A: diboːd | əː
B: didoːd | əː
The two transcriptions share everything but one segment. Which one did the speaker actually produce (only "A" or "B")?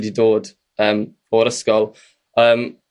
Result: B